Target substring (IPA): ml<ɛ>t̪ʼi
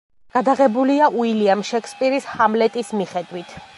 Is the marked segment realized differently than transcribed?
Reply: no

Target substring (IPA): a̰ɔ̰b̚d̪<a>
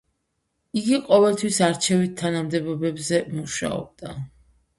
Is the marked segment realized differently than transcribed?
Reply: no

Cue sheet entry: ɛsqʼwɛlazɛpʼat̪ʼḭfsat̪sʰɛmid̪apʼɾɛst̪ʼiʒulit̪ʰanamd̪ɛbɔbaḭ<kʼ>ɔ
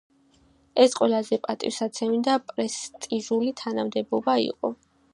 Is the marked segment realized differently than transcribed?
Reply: yes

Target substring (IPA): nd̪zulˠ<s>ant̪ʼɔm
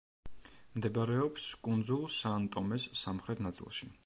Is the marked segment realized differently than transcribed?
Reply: no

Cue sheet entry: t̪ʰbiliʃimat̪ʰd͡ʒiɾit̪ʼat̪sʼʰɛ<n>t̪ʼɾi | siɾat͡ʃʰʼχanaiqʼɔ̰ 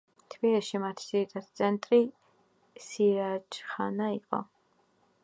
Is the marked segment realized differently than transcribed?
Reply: no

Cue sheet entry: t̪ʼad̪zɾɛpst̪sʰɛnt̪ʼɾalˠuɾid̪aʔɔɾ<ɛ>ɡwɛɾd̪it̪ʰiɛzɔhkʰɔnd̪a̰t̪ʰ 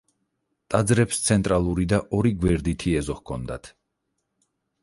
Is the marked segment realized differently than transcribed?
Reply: yes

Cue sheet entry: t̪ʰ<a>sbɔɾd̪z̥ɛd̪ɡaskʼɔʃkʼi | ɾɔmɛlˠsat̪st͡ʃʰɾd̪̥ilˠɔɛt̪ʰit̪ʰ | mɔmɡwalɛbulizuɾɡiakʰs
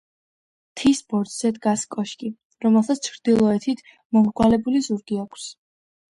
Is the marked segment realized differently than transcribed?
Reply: yes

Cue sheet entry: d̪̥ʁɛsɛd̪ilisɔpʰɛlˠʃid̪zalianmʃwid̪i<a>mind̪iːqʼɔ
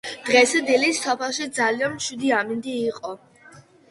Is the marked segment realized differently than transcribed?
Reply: no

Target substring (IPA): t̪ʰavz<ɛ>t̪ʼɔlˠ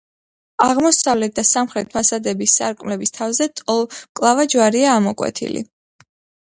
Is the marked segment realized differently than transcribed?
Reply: no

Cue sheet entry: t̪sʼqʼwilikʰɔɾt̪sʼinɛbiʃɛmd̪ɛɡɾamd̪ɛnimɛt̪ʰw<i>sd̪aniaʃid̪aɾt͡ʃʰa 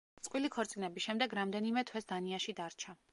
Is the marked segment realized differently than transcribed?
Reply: yes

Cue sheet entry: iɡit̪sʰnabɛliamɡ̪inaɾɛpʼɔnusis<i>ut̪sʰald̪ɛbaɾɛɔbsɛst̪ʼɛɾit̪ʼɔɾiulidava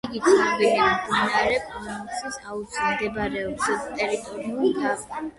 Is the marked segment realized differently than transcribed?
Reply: yes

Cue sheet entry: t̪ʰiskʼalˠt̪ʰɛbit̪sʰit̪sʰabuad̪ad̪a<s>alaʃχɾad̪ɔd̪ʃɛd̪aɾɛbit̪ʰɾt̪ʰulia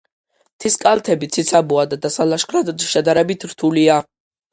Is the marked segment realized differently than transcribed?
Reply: no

